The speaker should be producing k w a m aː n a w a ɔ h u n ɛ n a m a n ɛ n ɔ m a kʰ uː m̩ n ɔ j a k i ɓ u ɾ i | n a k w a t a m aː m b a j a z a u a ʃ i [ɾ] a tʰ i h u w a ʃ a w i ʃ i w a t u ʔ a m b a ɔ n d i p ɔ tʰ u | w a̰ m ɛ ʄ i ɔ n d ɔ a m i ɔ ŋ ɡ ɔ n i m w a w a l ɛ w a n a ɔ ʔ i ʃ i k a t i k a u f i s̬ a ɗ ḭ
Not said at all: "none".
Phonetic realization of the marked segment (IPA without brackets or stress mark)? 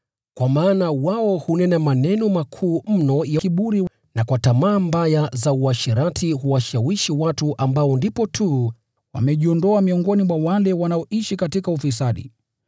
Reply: ɾ